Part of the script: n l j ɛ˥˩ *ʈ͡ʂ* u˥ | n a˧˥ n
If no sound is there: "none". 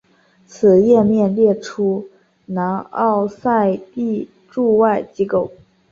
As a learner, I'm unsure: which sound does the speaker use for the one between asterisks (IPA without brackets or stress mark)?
ʈ͡ʂʰ